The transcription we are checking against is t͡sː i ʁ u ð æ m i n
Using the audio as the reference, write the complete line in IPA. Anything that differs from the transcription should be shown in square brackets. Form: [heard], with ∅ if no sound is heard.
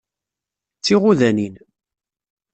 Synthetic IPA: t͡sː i ʁ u ð æ [n] i n